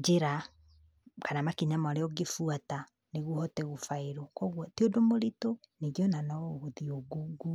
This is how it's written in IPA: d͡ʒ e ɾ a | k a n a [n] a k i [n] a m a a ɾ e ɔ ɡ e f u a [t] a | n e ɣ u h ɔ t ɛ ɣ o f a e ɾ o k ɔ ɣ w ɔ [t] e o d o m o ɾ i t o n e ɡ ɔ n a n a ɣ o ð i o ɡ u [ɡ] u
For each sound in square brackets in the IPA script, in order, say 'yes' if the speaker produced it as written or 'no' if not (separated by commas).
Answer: no, no, yes, yes, yes